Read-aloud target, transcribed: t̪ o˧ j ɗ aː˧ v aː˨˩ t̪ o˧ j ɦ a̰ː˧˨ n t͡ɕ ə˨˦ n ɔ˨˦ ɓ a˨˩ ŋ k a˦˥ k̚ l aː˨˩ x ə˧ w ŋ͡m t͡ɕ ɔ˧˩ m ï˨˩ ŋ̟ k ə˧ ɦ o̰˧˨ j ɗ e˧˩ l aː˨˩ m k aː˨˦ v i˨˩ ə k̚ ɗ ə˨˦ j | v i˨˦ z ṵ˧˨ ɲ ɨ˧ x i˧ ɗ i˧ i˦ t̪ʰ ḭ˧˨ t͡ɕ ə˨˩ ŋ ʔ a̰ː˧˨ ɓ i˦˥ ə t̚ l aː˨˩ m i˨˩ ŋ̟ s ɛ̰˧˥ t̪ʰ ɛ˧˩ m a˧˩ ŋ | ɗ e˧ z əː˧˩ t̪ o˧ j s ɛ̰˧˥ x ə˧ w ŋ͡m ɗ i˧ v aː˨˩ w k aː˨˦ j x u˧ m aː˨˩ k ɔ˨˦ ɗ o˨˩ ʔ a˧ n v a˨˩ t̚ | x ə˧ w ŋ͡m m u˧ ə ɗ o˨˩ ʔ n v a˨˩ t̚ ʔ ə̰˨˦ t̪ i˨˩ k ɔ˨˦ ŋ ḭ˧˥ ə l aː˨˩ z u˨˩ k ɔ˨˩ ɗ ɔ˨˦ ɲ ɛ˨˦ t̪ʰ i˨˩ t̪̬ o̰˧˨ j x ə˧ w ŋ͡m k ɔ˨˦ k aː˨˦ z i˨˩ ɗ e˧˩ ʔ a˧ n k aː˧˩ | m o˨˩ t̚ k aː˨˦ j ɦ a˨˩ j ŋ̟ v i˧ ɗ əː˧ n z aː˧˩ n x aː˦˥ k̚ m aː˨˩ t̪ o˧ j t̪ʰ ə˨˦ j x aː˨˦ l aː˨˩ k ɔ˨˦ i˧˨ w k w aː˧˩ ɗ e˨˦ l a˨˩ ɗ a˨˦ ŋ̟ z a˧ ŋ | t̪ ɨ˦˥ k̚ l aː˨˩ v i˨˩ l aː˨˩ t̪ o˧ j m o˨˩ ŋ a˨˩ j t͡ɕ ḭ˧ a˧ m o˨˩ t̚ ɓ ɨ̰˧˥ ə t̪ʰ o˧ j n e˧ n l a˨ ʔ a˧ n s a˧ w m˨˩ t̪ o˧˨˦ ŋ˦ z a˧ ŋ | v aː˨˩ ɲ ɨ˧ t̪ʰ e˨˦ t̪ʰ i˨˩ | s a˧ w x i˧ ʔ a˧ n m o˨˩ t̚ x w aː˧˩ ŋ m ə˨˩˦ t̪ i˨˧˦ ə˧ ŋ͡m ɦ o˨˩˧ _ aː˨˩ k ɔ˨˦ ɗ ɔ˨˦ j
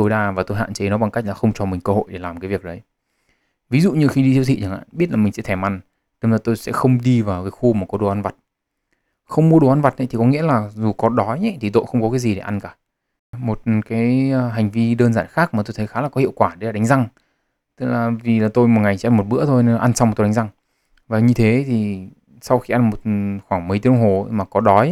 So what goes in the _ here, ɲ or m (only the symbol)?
m